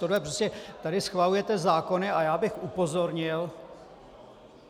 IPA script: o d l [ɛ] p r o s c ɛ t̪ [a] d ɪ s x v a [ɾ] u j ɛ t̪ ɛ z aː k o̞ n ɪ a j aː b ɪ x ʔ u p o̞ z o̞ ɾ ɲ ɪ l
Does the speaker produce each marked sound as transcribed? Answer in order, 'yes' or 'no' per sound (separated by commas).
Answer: yes, yes, no